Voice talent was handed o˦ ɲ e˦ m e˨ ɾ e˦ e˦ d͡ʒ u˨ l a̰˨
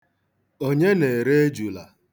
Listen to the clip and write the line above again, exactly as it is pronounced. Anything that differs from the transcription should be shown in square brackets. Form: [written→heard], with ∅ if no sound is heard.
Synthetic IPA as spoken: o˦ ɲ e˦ [m→n] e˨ ɾ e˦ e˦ d͡ʒ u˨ l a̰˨